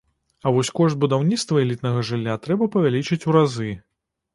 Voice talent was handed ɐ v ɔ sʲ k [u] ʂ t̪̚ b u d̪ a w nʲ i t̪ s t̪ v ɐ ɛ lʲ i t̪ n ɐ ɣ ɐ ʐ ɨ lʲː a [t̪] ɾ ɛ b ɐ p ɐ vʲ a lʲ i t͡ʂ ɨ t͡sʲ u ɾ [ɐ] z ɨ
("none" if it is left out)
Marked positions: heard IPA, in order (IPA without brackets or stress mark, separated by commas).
ɔ, t̪, a